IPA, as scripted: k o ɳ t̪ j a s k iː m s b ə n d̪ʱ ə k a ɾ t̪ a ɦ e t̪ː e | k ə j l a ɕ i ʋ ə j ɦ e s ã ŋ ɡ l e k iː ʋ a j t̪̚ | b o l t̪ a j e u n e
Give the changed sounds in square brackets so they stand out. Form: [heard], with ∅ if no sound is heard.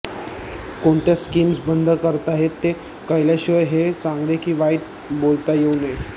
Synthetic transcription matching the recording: k o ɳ t̪ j a s k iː m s b ə n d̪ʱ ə k [ə] ɾ t̪ a ɦ e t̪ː e | k ə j l a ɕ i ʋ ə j ɦ e [t͡s] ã ŋ ɡ l e k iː ʋ a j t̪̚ | b o l t̪ a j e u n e